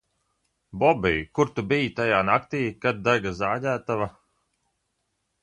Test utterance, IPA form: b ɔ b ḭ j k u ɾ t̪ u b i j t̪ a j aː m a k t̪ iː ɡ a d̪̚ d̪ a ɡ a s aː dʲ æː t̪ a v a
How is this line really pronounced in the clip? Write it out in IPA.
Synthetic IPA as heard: b ɔ b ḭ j k u ɾ t̪ u b i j t̪ a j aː n a k t̪ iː k a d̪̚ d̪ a ɡ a z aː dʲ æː t̪ a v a